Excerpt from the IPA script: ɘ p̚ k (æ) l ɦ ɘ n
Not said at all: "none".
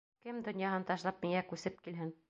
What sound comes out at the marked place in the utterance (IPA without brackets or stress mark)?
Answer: i